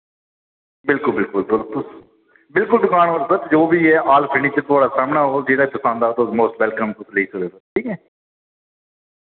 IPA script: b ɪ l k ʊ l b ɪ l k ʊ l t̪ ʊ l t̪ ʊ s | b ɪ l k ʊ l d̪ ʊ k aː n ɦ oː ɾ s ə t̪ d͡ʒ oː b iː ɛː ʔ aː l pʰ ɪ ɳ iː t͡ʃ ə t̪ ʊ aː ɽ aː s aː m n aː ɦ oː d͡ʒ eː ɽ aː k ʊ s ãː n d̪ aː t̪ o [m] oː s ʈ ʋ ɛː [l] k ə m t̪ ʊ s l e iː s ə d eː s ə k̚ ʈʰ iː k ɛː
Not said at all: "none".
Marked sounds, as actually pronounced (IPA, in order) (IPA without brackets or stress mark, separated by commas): m, l